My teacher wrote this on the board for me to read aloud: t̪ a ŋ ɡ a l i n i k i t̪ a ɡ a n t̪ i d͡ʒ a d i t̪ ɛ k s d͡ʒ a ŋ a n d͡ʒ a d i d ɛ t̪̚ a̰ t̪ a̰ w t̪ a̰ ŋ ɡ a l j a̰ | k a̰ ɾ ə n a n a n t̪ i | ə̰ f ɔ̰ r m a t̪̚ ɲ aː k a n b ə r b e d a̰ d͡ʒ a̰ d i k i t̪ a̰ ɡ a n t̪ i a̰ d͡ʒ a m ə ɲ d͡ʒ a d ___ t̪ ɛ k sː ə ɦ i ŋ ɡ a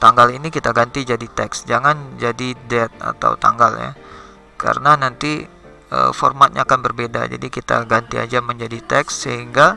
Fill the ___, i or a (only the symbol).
i